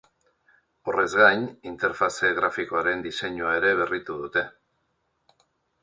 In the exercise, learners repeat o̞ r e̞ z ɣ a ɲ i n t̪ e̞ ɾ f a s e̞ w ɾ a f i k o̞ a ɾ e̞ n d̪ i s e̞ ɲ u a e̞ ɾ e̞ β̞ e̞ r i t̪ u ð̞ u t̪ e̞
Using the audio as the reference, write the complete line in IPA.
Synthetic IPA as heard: o̞ r e̞ z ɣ a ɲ i n t̪ e̞ ɾ f a s e̞ ɣ ɾ a f i k o̞ a ɾ e̞ n d̪ i s e̞ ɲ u a e̞ ɾ e̞ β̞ e̞ r i t̪ u ð̞ u t̪ e̞